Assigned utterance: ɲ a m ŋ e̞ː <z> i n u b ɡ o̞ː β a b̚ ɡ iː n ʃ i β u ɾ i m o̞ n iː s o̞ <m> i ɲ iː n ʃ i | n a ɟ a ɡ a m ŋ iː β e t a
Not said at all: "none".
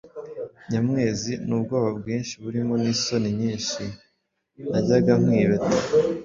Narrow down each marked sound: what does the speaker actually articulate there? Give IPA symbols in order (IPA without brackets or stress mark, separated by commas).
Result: z, n